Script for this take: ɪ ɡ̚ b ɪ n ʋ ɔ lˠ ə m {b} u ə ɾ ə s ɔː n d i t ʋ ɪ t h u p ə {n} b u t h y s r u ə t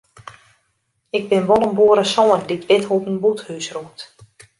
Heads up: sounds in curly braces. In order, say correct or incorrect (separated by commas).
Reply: correct, correct